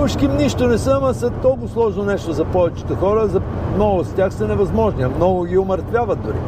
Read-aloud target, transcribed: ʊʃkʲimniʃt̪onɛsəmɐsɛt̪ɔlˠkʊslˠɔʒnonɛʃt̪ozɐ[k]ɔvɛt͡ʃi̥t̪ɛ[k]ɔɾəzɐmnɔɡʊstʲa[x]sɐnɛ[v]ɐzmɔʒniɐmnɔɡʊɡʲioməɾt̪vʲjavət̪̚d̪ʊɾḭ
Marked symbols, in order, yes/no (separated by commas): no, no, yes, yes